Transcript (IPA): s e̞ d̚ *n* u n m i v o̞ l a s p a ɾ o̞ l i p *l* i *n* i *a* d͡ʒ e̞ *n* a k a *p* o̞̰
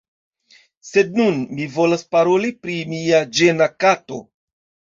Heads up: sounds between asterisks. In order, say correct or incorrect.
correct, incorrect: ɾ, incorrect: m, correct, correct, incorrect: t

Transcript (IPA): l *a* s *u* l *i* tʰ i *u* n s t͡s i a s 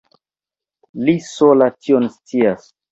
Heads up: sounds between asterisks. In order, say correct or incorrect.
incorrect: i, incorrect: o, incorrect: a, incorrect: o

